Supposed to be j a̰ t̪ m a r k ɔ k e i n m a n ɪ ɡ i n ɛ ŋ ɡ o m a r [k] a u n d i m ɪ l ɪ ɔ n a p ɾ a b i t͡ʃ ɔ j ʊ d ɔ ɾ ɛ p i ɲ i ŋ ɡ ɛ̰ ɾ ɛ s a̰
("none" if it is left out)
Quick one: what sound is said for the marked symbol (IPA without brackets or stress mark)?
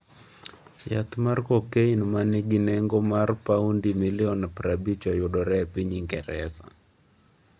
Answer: p